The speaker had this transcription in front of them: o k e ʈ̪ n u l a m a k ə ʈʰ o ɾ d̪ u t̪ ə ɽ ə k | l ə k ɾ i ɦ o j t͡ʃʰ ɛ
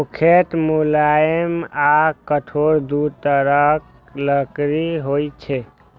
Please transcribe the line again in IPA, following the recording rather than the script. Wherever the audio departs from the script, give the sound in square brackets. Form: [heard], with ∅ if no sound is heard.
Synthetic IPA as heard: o [kʰ] e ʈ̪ [m] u l a m a k ə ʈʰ o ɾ d̪ u t̪ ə [ɾ] ə k | l ə k ɾ i ɦ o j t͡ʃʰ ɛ